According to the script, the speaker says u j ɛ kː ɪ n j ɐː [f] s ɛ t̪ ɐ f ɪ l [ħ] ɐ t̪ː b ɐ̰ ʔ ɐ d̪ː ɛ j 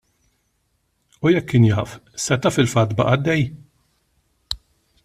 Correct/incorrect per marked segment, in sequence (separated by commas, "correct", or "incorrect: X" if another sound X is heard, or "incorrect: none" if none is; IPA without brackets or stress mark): correct, incorrect: f